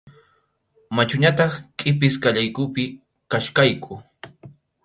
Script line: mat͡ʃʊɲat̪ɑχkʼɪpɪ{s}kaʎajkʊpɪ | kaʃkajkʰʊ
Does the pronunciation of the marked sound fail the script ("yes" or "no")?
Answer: no